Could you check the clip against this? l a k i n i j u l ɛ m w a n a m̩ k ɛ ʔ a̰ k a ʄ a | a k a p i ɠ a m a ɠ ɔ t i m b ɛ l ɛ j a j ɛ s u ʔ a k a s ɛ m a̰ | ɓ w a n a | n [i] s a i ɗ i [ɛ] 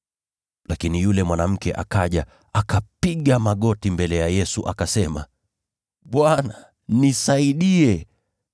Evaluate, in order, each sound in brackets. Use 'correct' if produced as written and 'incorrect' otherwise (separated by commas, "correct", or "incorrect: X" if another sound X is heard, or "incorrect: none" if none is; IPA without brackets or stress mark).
correct, correct